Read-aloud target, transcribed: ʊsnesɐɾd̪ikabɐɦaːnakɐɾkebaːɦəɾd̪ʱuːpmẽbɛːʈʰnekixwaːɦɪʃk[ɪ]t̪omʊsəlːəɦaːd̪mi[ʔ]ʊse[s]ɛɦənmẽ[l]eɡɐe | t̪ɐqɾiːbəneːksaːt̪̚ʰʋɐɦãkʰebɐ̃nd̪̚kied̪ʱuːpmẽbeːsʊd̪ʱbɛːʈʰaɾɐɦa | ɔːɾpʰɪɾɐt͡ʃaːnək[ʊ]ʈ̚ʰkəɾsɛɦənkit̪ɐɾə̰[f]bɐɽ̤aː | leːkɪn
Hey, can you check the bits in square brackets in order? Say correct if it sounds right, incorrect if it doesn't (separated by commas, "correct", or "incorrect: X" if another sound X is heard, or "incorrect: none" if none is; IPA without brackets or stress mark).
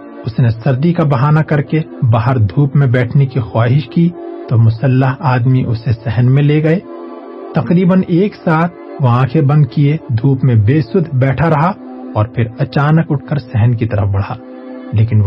incorrect: i, correct, correct, correct, correct, correct